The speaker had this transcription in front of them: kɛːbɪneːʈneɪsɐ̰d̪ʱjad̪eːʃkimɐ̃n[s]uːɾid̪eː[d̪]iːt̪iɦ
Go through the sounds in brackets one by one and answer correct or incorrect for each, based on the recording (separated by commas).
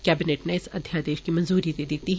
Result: incorrect, correct